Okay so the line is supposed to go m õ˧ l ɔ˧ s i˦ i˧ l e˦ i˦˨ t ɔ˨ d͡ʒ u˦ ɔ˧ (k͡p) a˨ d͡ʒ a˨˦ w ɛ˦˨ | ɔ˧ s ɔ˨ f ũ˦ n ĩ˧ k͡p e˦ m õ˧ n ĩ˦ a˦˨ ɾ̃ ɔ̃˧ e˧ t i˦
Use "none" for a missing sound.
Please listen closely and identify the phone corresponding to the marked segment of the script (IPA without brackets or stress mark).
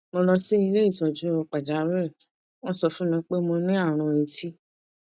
k͡p